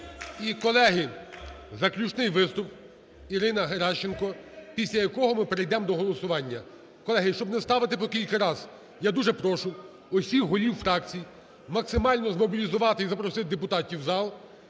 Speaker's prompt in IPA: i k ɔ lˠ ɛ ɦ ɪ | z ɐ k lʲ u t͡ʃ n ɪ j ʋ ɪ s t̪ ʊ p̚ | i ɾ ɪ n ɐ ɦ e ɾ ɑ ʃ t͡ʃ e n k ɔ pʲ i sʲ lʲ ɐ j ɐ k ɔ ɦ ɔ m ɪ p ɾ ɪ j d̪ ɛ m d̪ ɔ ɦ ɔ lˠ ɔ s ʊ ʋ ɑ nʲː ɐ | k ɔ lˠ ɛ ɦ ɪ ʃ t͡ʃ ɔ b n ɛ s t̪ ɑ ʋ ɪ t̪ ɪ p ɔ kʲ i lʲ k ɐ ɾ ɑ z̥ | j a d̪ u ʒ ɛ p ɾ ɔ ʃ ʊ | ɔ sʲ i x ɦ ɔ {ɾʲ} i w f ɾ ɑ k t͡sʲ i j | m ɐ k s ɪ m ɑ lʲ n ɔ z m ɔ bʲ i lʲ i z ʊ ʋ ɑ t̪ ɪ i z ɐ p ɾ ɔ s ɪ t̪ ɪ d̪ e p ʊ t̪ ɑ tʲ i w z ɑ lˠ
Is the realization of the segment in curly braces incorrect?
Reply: yes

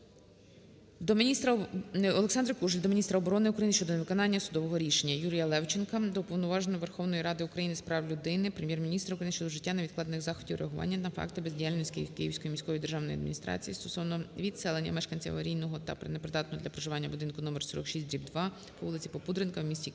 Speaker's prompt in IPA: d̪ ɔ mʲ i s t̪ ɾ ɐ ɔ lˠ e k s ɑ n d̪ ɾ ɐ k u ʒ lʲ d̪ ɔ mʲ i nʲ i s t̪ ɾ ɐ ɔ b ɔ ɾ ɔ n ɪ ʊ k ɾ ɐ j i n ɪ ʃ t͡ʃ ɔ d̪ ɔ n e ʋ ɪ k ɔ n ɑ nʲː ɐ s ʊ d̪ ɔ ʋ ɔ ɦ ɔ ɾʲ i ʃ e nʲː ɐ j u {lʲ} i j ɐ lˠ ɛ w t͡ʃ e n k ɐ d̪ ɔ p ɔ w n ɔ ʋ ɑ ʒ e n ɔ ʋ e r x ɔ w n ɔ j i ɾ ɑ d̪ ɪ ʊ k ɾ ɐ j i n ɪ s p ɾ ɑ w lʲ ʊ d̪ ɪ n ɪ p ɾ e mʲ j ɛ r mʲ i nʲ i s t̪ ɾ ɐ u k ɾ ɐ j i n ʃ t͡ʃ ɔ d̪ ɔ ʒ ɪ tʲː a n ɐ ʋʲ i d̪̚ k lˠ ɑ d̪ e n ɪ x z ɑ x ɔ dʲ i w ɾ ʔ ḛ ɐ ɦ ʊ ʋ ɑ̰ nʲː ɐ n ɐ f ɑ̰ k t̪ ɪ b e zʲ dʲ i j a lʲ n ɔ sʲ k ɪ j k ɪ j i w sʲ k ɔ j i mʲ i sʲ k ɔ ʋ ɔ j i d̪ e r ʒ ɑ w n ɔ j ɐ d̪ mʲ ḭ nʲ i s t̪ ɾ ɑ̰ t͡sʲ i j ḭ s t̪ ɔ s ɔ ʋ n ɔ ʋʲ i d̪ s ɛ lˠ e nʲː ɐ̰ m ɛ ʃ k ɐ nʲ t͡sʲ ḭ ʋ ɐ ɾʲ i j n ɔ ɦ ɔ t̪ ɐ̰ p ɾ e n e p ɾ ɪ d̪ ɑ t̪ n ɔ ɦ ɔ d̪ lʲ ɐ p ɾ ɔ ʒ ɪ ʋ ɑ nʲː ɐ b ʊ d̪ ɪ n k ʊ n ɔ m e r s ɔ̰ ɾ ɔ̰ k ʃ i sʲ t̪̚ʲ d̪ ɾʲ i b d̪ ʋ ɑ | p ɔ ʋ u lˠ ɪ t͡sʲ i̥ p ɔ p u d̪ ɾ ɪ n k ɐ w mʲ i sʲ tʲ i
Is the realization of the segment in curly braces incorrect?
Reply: yes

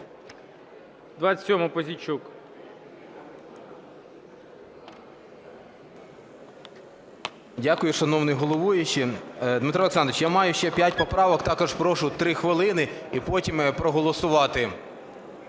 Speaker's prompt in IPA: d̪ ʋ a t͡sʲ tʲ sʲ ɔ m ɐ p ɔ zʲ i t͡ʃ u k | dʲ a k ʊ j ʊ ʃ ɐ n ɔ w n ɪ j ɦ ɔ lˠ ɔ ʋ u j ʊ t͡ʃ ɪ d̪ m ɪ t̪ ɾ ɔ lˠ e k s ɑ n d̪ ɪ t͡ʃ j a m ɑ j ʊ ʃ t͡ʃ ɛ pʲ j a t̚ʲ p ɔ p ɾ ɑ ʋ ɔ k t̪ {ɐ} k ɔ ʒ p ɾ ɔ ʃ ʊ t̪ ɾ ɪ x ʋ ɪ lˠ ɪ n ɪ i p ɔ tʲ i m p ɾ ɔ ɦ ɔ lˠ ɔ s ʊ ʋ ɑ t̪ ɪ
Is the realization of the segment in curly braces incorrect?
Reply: yes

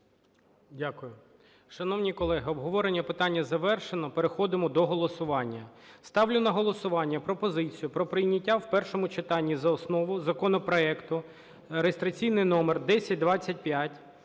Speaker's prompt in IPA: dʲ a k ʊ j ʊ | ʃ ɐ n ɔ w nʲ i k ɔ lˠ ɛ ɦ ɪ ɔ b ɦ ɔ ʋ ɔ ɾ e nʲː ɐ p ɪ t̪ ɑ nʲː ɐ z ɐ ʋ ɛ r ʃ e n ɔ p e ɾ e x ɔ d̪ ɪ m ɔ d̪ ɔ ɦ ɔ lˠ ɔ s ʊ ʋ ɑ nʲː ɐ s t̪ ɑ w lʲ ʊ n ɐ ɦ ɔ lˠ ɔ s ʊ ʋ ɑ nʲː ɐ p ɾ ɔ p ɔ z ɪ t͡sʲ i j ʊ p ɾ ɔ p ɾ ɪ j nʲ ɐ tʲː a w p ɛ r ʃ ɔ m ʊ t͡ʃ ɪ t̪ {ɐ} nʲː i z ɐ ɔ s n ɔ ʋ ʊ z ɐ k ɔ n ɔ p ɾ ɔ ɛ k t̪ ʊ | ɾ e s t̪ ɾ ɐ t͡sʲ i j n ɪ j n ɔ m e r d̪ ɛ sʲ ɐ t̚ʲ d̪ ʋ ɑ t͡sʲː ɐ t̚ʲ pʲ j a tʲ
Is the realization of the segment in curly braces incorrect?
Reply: yes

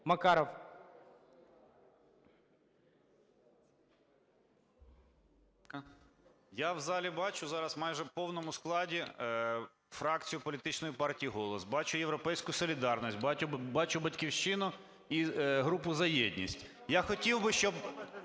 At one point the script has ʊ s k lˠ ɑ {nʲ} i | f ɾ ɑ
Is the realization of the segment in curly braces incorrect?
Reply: yes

